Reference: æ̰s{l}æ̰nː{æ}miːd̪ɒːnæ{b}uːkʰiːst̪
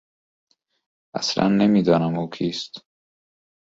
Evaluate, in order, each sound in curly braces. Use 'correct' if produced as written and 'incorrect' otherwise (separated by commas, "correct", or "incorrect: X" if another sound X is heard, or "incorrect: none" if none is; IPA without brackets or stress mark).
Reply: correct, incorrect: e, incorrect: m